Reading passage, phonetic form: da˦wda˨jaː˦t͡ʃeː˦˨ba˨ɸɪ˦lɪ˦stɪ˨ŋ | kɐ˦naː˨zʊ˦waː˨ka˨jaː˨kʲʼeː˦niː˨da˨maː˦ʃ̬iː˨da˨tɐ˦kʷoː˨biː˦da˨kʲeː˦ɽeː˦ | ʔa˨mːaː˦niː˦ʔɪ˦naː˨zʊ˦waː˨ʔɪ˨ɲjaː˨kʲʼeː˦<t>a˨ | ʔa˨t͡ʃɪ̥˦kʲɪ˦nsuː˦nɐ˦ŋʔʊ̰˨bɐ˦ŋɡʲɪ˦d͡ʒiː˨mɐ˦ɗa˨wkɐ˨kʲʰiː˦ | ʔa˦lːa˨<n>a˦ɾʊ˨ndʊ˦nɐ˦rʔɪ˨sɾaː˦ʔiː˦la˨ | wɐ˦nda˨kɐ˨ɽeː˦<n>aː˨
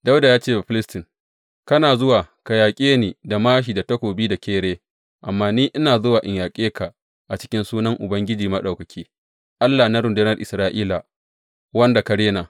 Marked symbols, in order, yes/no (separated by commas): no, yes, yes